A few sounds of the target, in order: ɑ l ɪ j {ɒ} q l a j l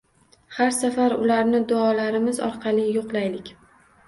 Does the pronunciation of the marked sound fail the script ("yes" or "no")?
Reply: yes